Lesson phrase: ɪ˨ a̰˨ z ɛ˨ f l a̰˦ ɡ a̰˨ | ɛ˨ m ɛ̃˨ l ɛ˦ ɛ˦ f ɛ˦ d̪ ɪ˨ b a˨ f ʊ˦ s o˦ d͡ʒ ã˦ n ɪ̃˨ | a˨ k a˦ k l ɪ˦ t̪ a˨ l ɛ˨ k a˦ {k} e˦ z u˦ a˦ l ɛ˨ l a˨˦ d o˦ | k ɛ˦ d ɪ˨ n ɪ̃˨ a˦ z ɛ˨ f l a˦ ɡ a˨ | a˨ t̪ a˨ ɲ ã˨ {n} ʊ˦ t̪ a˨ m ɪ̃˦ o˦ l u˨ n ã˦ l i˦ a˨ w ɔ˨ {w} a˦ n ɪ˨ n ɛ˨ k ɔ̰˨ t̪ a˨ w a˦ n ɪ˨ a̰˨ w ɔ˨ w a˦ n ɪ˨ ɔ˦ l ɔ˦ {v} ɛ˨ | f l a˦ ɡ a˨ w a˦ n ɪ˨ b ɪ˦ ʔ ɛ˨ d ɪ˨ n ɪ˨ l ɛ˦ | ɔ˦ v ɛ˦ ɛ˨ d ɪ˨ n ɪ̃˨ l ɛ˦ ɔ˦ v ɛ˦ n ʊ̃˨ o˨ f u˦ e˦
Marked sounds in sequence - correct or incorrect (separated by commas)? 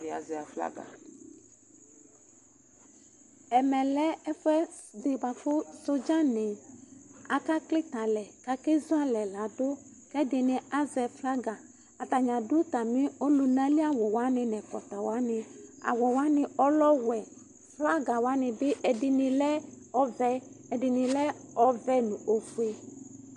correct, incorrect, correct, incorrect